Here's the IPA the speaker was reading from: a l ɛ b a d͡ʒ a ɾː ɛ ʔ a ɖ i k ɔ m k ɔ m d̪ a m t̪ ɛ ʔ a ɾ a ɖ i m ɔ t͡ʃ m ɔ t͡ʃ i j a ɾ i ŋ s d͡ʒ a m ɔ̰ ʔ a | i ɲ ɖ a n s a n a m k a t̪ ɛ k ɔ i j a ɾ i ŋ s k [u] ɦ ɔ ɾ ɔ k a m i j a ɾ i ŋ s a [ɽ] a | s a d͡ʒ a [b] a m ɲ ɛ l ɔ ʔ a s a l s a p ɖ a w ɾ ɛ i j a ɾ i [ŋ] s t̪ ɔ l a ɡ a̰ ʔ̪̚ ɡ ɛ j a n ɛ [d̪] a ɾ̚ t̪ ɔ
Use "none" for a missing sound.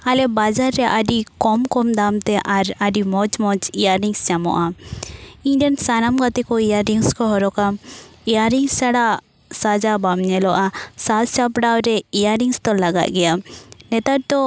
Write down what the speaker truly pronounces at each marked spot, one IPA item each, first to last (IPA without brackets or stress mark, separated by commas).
ɔ, ɽ, b, ŋ, t̪